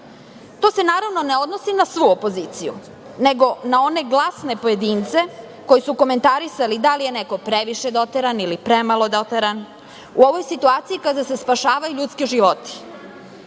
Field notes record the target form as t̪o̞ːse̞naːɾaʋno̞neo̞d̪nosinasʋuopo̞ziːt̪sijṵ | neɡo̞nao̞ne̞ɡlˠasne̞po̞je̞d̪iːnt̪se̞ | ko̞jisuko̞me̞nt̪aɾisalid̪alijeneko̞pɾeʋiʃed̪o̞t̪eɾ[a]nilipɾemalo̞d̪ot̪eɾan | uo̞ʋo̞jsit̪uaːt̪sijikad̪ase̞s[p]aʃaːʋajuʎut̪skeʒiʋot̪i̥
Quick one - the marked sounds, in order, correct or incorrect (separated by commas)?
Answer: correct, correct